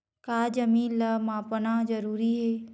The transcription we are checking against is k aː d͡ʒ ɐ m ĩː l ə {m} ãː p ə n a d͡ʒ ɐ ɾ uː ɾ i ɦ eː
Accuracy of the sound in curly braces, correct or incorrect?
correct